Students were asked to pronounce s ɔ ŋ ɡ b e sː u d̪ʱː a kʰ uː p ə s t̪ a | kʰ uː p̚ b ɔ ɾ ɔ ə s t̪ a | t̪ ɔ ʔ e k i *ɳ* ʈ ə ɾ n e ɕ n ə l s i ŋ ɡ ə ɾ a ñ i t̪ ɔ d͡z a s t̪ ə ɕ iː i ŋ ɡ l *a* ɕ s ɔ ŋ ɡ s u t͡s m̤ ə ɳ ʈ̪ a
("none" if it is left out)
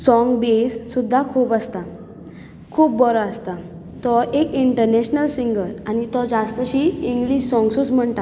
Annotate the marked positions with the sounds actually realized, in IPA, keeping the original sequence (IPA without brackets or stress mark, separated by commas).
ɳ, i